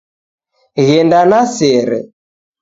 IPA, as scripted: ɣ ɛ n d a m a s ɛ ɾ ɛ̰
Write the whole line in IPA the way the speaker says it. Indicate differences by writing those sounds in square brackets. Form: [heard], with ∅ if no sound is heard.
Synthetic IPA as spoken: ɣ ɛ n d a [n] a s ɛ ɾ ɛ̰